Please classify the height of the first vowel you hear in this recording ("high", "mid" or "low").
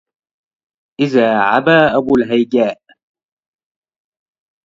high